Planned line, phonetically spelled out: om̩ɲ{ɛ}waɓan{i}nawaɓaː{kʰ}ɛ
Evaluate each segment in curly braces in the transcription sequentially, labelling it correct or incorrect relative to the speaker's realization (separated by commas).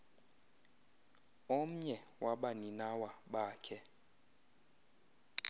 correct, correct, correct